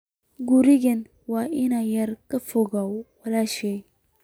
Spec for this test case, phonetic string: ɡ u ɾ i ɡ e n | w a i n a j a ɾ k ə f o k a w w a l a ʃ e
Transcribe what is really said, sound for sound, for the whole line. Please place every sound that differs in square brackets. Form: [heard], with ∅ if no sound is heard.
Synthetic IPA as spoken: ɡ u ɾ i ɡ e n | w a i n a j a ɾ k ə f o [ɡ] a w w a l a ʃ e